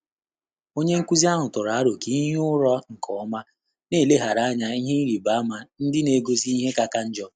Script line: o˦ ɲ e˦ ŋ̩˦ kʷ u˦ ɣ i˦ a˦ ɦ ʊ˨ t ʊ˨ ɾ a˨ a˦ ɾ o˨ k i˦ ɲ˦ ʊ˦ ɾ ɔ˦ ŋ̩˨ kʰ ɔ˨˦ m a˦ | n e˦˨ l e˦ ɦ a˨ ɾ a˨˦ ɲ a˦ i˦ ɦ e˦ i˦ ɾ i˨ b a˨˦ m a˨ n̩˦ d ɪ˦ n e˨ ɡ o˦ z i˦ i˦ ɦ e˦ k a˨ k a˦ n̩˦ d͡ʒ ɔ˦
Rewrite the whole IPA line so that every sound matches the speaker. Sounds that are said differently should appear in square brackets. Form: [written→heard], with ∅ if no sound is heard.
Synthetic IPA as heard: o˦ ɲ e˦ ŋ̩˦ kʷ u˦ [ɣ→z] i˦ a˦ ɦ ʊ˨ t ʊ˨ ɾ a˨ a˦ ɾ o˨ k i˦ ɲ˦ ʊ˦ ɾ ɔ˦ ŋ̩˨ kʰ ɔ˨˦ m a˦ | n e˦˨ l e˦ ɦ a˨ ɾ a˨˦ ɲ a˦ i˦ ɦ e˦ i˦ ɾ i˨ b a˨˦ m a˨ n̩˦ d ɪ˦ n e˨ ɡ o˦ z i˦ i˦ ɦ e˦ k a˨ k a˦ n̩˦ d͡ʒ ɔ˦